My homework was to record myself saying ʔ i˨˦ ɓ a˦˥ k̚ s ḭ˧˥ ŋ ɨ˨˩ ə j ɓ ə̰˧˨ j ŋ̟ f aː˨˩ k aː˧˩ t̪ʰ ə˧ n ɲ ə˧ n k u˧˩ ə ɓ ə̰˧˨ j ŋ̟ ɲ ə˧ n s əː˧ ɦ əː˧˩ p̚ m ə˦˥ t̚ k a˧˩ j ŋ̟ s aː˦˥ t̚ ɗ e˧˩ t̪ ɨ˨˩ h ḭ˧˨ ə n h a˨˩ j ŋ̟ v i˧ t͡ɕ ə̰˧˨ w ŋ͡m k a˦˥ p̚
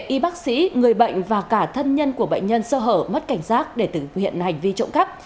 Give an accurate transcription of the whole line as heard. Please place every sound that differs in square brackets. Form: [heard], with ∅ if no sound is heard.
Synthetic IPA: ʔ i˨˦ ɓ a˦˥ k̚ s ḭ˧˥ ŋ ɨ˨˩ ə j ɓ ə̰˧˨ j ŋ̟ [v] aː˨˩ k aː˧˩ t̪ʰ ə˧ n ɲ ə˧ n k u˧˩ ə ɓ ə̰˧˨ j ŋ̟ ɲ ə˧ n s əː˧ ɦ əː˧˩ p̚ m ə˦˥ t̚ k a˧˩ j ŋ̟ s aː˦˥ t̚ ɗ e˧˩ t̪ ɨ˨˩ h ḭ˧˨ ə n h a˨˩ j ŋ̟ v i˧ t͡ɕ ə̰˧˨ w ŋ͡m k a˦˥ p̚